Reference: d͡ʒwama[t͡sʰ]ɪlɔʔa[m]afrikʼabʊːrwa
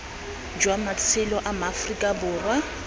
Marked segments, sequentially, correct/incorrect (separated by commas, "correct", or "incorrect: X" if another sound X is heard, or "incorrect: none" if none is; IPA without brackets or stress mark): correct, correct